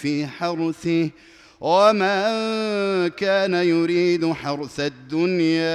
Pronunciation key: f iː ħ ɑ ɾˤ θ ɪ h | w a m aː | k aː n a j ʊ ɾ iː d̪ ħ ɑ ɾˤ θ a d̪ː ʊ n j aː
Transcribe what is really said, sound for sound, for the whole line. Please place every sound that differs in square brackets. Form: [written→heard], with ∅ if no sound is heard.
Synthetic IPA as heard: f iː ħ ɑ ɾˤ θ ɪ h | w a m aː | k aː n a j ʊ ɾ iː d̪ ħ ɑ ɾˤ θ a d̪ː ʊ n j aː